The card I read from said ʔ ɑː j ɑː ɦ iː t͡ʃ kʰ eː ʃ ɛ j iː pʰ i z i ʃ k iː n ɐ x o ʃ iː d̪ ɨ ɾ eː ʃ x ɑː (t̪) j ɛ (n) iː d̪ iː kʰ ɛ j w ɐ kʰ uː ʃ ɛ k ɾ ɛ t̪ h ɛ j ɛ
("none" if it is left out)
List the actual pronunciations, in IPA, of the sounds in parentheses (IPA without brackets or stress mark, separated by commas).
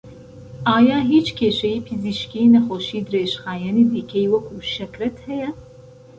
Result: none, n